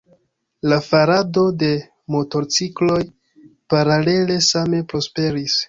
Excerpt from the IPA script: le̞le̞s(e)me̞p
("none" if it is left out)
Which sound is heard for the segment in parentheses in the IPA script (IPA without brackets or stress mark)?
a